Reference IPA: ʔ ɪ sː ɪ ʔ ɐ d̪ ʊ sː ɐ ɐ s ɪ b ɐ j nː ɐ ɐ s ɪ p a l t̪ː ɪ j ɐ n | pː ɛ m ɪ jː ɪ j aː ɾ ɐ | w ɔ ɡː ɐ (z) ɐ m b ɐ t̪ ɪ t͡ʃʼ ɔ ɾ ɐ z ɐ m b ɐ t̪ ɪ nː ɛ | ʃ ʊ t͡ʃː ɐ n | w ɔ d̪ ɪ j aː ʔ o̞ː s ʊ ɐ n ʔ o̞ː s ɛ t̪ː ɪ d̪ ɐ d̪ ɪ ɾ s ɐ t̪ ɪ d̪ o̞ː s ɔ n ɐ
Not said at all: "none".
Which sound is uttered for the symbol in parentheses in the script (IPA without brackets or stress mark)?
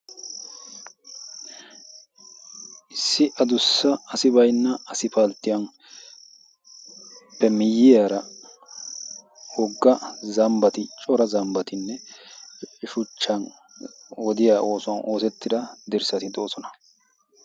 z